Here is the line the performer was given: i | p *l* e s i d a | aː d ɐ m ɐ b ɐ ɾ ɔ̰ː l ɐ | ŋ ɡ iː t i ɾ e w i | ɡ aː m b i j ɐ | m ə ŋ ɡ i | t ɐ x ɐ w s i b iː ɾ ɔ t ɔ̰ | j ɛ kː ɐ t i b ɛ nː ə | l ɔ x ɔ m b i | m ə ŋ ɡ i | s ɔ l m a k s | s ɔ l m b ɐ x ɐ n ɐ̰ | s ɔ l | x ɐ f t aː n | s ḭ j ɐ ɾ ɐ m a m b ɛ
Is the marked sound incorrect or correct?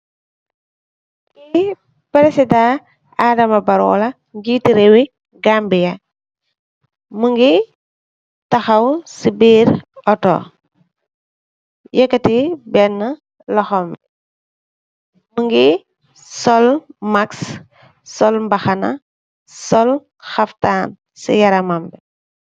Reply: incorrect: ɾ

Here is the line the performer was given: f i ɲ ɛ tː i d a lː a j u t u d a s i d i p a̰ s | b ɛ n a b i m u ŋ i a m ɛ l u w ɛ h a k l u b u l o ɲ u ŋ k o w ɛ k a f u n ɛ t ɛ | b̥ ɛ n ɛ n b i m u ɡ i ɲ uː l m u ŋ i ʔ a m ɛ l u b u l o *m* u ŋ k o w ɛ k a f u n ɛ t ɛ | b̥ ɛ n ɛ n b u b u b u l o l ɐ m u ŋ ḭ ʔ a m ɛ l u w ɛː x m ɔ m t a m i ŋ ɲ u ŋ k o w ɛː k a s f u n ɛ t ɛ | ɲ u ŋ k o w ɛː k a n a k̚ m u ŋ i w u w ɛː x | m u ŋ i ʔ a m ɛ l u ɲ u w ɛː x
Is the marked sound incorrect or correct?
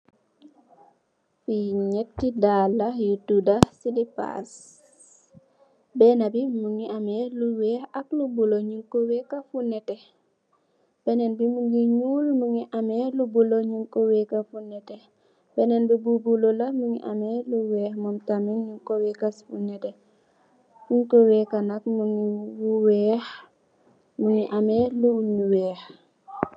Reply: incorrect: ɲ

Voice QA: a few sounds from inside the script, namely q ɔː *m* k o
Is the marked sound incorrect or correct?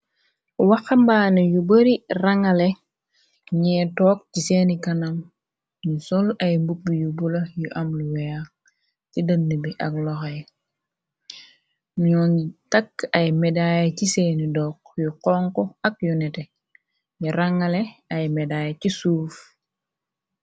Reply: incorrect: ŋ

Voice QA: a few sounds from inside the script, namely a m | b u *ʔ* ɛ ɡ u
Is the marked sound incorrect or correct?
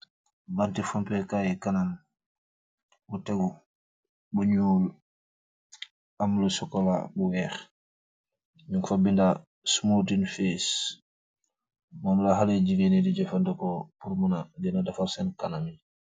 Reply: incorrect: t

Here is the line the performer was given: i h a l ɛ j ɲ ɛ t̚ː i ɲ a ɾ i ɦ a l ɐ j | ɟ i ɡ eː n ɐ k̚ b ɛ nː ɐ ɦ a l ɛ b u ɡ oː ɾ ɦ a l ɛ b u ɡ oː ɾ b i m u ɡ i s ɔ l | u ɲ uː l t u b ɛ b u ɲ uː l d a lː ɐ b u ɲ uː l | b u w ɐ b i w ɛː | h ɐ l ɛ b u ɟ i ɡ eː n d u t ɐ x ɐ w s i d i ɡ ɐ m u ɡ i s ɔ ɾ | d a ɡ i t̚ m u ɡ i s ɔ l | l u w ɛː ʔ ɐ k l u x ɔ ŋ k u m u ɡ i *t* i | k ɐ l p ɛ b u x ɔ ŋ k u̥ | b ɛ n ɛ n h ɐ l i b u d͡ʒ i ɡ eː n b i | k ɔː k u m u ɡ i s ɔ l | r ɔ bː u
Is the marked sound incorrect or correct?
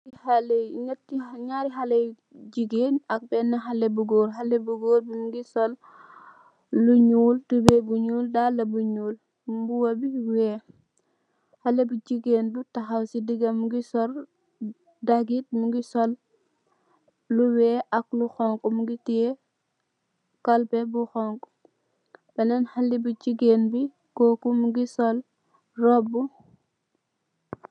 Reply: correct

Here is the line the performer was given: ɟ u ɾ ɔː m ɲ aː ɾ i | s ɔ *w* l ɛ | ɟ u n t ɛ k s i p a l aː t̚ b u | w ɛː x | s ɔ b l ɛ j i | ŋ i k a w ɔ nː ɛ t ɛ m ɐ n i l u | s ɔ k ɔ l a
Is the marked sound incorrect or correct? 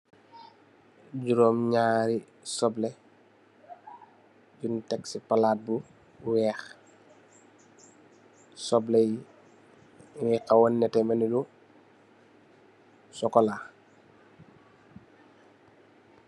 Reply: incorrect: b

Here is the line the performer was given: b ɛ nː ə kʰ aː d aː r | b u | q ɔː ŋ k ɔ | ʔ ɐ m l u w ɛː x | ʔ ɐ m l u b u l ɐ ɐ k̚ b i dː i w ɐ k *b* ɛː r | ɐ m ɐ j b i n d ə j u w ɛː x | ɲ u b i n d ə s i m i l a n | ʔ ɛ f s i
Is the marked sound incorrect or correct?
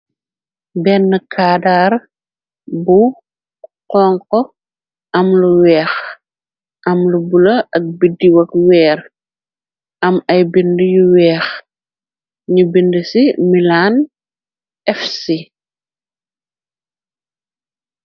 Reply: incorrect: w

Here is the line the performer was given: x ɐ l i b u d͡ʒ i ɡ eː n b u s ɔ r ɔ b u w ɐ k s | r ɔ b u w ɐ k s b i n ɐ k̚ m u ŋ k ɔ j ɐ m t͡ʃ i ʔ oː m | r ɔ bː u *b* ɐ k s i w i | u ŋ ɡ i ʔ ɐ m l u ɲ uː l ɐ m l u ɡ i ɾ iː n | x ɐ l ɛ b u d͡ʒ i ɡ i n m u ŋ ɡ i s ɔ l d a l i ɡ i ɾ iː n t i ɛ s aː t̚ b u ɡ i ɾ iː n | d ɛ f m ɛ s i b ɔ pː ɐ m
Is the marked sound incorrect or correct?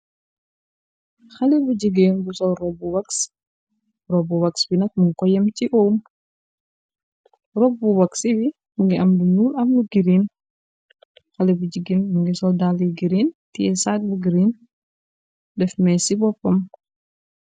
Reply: incorrect: w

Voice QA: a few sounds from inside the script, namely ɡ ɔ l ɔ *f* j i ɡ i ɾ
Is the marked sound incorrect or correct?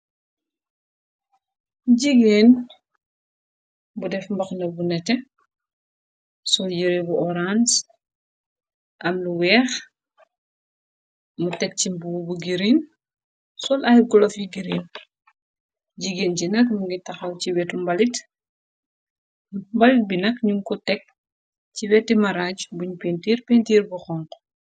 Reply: correct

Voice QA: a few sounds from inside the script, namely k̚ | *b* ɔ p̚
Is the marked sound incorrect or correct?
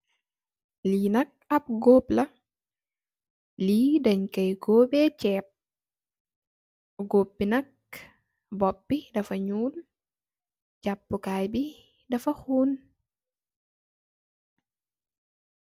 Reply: correct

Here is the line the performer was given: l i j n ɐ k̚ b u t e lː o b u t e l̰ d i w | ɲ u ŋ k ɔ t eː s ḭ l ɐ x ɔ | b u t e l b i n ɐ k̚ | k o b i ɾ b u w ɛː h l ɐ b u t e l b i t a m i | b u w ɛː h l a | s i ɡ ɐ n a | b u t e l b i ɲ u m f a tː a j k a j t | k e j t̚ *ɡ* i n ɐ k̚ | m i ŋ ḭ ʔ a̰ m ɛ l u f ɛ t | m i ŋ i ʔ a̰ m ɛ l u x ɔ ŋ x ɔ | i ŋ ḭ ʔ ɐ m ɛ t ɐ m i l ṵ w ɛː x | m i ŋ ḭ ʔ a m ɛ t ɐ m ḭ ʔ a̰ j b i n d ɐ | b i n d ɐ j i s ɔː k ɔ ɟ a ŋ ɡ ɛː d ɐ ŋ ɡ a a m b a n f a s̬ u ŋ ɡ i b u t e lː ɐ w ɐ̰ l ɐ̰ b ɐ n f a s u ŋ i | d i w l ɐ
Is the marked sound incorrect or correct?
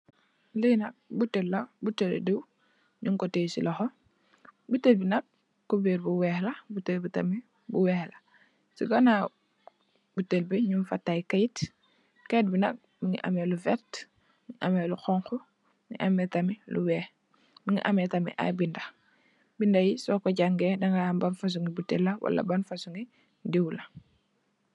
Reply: incorrect: b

